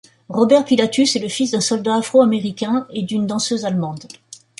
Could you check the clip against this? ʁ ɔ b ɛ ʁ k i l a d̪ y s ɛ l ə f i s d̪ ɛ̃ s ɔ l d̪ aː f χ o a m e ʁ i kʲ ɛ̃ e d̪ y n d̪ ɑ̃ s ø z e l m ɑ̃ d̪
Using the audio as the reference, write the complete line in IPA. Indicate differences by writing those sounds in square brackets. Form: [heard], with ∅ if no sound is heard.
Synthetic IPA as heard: ʁ ɔ b ɛ ʁ [p] i l a [t̪] y s ɛ l ə f i s d̪ ɛ̃ s ɔ l d̪ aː f χ o a m e ʁ i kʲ ɛ̃ e d̪ y n d̪ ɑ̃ s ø z [a] l m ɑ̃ d̪

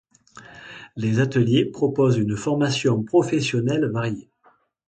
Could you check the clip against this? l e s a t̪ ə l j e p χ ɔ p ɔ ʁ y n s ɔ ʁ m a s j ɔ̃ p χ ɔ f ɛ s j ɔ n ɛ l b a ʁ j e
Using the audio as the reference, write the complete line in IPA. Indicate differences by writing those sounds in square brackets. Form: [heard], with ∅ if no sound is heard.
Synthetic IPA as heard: l e [z] a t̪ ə l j e p χ ɔ p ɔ [z] y n [f] ɔ ʁ m a s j ɔ̃ p χ ɔ f ɛ s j ɔ n ɛ l [v] a ʁ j e

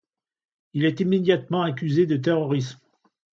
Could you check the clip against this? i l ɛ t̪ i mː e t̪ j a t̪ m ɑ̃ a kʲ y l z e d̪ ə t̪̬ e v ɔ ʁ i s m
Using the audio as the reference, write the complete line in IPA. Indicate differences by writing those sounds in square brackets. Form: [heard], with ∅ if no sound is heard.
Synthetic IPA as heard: i l ɛ t̪ i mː e [d̪] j a t̪ m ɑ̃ a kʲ y [∅] z e d̪ ə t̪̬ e [ʁ] ɔ ʁ i s m

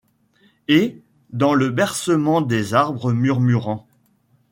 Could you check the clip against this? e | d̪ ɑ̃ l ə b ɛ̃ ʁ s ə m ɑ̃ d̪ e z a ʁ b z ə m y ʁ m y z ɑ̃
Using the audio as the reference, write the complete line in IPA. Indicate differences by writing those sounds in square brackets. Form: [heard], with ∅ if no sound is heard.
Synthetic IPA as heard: e | d̪ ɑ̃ l ə b [ɛ] ʁ s ə m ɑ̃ d̪ e z a ʁ b [ʁ] ə m y ʁ m y [ʁ] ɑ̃

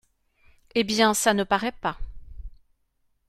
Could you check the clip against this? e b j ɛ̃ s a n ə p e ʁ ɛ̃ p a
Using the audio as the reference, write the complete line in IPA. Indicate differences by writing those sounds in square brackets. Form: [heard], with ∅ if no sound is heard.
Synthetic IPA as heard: e b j ɛ̃ s a n ə p [a] ʁ [ɛ] p a

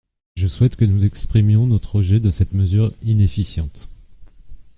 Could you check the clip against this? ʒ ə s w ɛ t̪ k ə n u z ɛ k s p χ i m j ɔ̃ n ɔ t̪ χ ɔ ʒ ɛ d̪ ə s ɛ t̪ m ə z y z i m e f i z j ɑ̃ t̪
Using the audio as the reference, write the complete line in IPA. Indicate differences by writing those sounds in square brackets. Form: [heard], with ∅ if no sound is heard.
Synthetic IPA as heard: ʒ ə s w ɛ t̪ k ə n u z ɛ k s p χ i m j ɔ̃ n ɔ t̪ χ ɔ ʒ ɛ d̪ ə s ɛ t̪ m ə z y [ʁ] i [n] e f i [s] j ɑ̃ t̪

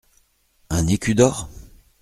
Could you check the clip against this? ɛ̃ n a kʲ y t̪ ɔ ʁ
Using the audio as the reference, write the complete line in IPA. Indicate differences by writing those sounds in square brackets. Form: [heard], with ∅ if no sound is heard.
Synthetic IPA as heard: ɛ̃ n [e] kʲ y [d̪] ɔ ʁ

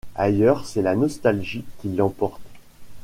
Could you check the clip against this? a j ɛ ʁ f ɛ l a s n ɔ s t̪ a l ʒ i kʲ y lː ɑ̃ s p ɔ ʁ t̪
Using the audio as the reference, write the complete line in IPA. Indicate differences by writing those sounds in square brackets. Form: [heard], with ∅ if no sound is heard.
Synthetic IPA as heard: a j [œ] ʁ [s] ɛ l a [∅] n ɔ s t̪ a l ʒ i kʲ [i] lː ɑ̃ [∅] p ɔ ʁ t̪

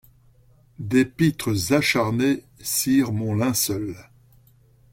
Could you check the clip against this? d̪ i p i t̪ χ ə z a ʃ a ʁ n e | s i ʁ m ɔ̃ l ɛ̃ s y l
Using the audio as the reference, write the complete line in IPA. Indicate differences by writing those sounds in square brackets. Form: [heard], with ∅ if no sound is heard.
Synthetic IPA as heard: d̪ [e] p i t̪ χ ə z a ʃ a ʁ n e | s i ʁ m ɔ̃ l ɛ̃ s [œ] l

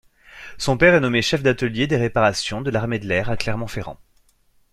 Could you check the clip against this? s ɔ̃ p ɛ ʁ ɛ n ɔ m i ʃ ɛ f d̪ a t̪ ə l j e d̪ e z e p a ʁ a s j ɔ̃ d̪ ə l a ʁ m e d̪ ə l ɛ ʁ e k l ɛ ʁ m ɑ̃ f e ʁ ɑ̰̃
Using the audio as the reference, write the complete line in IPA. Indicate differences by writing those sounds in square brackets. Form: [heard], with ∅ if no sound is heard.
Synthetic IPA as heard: s ɔ̃ p ɛ ʁ ɛ n ɔ m [e] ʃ ɛ f d̪ a t̪ ə l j e d̪ e [ʁ] e p a ʁ a s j ɔ̃ d̪ ə l a ʁ m e d̪ ə l ɛ ʁ [a] k l ɛ ʁ m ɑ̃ f e ʁ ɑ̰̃

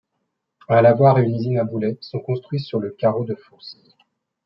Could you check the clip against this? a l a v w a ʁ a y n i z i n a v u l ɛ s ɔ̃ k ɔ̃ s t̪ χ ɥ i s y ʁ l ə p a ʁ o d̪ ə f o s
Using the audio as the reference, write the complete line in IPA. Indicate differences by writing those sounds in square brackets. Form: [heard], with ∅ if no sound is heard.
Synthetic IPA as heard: a l a v w a ʁ [e] y n i z i n a [b] u l ɛ s ɔ̃ k ɔ̃ s t̪ χ ɥ i s y ʁ l ə [k] a ʁ o d̪ ə f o s

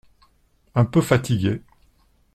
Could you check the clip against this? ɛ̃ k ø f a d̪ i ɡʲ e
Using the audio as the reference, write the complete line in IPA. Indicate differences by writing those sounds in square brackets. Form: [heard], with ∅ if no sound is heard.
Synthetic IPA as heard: ɛ̃ [p] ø f a [t̪] i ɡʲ e

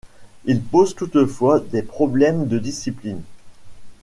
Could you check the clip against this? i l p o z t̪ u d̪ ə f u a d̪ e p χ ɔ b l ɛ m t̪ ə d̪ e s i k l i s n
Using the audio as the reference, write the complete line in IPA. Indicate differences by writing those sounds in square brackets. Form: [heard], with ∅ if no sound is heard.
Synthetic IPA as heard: i l p o z t̪ u [t̪] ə f [w] a d̪ e p χ ɔ b l ɛ m [d̪] ə d̪ [i] s i [p] l i [∅] n

